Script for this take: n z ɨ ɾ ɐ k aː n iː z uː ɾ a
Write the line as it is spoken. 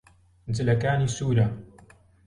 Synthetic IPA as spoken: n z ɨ l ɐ k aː n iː s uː ɾ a